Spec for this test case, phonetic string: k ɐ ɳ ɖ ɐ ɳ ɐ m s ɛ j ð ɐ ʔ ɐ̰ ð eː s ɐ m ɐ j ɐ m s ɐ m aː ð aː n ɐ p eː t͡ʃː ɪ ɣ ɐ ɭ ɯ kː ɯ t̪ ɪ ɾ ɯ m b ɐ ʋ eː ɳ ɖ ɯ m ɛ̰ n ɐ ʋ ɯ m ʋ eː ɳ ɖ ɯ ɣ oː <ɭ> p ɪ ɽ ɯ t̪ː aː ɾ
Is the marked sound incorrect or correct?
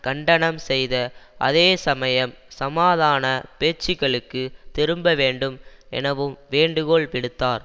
correct